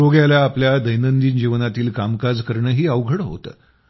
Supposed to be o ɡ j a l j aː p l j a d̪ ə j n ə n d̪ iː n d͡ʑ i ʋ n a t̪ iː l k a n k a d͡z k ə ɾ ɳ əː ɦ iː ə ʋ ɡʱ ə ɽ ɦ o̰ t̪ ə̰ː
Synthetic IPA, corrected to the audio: o ɡ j a l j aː p l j a d̪ ə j n ə n d̪ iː n d͡ʑ i ʋ n a t̪ iː l k a m k a d͡z k ə ɾ ɳ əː ɦ iː ə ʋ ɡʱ ə ɽ ɦ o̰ t̪ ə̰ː